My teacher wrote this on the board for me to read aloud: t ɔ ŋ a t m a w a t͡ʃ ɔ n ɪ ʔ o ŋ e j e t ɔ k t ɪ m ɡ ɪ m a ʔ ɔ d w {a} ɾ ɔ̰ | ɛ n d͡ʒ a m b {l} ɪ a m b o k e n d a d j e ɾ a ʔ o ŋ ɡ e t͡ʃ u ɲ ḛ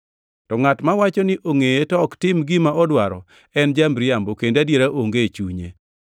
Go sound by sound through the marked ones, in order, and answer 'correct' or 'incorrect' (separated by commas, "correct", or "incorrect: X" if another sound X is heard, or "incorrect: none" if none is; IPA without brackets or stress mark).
correct, incorrect: ɾ